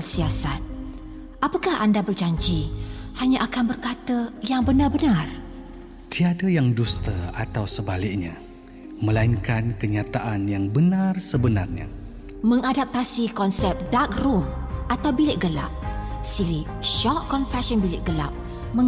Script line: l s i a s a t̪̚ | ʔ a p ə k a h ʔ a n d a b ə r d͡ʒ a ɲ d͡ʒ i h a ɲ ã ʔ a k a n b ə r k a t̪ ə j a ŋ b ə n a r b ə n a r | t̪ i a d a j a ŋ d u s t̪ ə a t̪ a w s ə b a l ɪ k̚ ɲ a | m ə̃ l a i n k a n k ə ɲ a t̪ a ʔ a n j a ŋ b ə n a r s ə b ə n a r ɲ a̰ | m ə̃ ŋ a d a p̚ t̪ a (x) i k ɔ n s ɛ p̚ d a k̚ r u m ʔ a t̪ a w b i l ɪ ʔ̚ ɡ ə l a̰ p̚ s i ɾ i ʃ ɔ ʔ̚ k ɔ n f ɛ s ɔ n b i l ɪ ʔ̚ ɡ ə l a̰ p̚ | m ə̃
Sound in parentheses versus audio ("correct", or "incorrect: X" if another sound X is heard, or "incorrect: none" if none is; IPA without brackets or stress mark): incorrect: s